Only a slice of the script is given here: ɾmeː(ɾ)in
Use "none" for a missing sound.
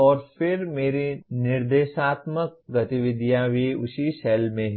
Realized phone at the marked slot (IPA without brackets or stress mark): ɾ